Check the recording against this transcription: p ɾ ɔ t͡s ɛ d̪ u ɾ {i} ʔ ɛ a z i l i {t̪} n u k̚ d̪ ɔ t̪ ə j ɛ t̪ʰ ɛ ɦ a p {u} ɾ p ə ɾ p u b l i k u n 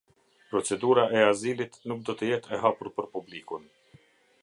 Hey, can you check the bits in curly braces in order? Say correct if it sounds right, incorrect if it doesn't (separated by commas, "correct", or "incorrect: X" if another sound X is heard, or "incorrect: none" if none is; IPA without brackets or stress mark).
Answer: incorrect: a, correct, correct